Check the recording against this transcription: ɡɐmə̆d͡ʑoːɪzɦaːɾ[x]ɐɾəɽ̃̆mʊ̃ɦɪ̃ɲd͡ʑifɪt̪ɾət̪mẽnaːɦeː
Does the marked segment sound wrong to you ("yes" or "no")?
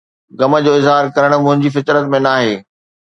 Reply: yes